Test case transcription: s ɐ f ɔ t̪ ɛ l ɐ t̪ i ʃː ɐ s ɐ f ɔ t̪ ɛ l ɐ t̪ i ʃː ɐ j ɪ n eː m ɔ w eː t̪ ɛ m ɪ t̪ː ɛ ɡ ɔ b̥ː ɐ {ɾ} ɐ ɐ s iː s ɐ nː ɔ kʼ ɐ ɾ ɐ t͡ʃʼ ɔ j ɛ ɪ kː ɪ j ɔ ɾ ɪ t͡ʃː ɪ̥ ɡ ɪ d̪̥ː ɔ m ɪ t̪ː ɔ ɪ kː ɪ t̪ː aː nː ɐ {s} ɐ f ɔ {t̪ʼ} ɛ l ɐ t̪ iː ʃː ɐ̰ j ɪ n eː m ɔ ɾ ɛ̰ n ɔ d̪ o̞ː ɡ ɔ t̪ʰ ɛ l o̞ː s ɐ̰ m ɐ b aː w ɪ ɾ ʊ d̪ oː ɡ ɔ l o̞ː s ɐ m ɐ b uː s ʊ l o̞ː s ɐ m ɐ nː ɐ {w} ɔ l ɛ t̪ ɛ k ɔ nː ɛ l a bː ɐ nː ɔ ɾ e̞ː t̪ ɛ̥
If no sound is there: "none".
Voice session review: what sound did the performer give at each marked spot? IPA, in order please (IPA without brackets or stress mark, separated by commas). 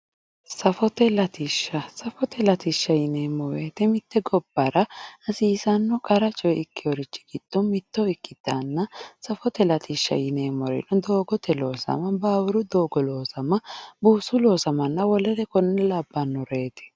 ɾ, s, t̪, w